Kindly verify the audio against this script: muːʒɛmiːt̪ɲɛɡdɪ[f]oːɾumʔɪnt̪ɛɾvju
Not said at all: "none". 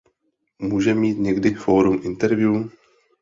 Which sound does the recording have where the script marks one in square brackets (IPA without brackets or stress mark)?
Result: f